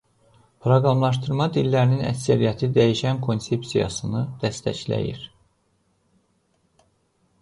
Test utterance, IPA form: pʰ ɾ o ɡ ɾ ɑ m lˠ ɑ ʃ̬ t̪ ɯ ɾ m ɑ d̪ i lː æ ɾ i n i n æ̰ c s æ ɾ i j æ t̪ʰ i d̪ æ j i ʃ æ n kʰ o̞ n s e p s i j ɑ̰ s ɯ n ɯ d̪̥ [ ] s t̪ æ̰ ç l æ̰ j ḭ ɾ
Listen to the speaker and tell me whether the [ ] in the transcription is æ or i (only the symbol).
æ